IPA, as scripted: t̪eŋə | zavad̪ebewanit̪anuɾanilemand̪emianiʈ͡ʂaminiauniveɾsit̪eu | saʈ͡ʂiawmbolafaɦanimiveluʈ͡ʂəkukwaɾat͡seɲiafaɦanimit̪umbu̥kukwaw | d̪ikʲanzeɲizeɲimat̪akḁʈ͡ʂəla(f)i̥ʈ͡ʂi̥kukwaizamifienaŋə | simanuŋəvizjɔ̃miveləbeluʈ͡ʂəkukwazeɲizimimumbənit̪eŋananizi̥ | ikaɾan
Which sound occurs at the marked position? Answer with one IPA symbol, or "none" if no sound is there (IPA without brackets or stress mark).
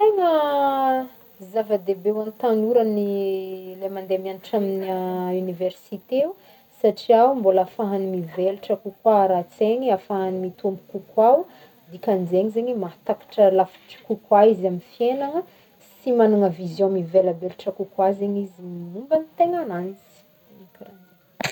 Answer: f